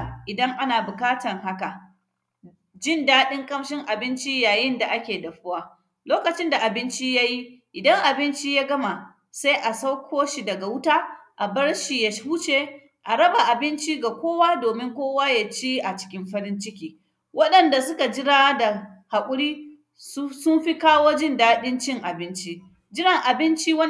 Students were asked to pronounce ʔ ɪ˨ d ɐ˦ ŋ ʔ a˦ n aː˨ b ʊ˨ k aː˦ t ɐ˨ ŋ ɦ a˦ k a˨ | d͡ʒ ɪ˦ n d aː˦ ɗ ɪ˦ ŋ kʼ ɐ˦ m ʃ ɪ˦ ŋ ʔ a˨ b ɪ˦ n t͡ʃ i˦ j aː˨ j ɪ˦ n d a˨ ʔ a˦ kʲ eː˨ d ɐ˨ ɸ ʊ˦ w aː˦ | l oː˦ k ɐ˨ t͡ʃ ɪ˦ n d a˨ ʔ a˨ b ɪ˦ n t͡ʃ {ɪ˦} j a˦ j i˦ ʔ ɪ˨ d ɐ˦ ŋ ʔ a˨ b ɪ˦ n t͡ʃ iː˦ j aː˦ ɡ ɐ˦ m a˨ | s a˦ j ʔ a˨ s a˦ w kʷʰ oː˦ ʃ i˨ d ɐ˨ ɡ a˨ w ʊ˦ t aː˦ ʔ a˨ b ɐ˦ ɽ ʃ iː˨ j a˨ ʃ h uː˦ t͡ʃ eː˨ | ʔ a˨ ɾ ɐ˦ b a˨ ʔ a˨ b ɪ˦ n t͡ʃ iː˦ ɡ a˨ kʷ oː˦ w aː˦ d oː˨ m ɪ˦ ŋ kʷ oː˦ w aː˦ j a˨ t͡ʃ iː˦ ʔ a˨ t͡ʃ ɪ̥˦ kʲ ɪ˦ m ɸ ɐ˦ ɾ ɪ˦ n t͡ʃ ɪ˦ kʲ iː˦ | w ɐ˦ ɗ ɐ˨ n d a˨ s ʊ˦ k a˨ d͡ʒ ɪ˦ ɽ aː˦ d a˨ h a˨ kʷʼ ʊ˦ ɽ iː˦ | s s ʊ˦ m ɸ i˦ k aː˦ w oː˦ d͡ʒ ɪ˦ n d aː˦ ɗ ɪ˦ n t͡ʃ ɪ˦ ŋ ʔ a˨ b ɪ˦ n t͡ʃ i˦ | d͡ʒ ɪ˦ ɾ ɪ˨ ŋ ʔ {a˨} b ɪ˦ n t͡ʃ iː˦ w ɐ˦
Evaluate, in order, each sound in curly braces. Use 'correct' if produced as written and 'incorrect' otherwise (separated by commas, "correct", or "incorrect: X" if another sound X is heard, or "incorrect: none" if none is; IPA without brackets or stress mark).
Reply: incorrect: i˦, correct